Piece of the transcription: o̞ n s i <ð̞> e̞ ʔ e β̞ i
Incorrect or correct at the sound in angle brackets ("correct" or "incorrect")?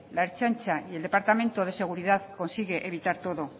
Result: incorrect